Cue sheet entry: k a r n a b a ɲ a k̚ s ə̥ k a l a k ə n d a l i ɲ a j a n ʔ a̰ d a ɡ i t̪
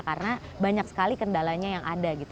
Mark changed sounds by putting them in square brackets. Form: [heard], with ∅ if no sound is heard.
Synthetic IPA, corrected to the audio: k a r n a b a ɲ a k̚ s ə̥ k a l [i] k ə n d a l [a] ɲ a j a [ŋ] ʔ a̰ d a ɡ i t̪